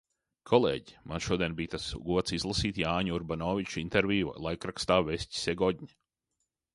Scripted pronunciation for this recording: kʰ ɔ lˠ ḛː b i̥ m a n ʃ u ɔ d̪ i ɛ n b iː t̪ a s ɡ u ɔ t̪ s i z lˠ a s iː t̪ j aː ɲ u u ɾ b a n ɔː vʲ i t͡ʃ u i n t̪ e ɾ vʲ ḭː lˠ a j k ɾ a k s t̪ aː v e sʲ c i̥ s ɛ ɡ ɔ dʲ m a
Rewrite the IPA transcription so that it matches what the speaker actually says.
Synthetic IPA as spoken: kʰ ɔ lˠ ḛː ɟ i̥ m a n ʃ u ɔ d̪ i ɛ n b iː t̪ a s ɡ u ɔ t̪ s i z lˠ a s iː t̪ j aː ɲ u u ɾ b a n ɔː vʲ i t͡ʃ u i n t̪ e ɾ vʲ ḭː lˠ a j k ɾ a k s t̪ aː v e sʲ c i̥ s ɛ ɡ ɔ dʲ ɲ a